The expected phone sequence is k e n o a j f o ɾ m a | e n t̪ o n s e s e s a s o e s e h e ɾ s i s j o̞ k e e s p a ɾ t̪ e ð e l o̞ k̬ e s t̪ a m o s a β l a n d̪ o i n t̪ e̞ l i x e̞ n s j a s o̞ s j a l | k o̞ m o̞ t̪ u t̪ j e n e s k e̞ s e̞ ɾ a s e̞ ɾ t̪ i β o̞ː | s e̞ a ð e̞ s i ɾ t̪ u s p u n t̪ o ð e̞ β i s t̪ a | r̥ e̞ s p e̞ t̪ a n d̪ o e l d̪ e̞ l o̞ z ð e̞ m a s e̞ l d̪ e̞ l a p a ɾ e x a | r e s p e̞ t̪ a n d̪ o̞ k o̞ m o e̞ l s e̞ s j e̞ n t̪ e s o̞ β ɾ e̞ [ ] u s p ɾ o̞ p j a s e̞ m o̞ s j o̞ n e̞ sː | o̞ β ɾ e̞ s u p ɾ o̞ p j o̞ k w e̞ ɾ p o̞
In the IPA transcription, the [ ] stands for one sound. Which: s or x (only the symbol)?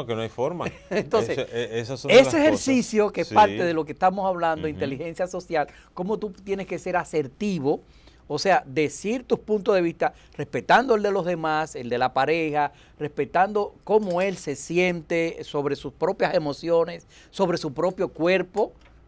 s